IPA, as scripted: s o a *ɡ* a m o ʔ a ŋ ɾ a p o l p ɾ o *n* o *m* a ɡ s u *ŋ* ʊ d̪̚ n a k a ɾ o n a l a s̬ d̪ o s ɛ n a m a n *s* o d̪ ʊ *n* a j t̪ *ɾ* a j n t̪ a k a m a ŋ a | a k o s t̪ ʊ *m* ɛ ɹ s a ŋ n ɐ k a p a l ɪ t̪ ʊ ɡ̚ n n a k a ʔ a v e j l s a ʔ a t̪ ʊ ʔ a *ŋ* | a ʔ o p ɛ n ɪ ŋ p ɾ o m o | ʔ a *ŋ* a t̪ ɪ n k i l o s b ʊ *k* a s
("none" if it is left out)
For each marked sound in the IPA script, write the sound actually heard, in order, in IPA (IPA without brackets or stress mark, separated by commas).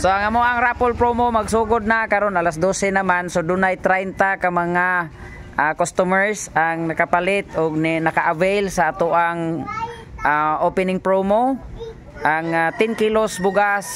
ŋ, m, m, ɡ, s, n, ɾ, m, ŋ, ŋ, ɡ